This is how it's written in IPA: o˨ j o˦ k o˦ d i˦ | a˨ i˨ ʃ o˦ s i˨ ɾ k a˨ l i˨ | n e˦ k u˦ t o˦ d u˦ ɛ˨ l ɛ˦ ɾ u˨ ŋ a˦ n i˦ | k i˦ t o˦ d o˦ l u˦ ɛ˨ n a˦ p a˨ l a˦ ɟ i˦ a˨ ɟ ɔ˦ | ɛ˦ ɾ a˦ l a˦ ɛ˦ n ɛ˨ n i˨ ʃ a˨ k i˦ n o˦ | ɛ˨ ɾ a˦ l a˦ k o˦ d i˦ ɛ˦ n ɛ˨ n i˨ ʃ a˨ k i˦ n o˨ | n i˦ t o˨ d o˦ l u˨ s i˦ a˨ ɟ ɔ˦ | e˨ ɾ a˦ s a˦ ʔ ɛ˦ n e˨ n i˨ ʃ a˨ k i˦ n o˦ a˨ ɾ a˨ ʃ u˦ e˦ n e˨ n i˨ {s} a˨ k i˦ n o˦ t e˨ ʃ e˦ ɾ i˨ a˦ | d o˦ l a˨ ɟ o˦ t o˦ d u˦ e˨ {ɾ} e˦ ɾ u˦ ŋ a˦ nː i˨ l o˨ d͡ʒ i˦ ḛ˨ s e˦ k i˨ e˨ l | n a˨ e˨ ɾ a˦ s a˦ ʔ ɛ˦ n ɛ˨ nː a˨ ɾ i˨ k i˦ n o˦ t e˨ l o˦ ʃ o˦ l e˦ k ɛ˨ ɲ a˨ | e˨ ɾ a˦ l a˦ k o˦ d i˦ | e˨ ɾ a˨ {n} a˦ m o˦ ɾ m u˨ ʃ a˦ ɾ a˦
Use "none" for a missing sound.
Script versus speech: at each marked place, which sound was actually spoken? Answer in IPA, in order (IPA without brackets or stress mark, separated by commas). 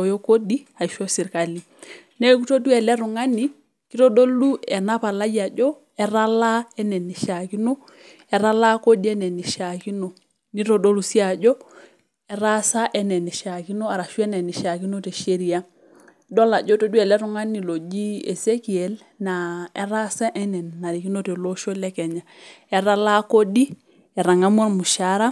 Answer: ʃ, l, ŋ